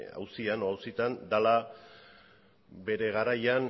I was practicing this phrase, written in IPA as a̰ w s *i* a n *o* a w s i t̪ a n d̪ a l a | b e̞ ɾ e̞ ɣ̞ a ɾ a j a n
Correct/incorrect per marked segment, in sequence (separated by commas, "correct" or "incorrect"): correct, correct